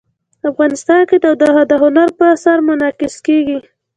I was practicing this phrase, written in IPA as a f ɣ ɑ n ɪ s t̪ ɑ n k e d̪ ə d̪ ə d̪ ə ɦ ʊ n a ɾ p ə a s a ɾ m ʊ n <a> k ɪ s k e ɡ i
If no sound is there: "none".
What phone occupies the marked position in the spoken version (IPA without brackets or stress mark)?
ɑ